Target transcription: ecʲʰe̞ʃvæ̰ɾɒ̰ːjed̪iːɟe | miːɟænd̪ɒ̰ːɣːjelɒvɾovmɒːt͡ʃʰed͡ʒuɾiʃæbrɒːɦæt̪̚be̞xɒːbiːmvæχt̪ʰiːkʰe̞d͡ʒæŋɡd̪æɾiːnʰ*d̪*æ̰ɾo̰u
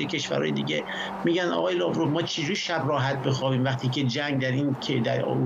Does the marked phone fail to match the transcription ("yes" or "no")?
no